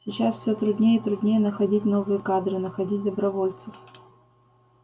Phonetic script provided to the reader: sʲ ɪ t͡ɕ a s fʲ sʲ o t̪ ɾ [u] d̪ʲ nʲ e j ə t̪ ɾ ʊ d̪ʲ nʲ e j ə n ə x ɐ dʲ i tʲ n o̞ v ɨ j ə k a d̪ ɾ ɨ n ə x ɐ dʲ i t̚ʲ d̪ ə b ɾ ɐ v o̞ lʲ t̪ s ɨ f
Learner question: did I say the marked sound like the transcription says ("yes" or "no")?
no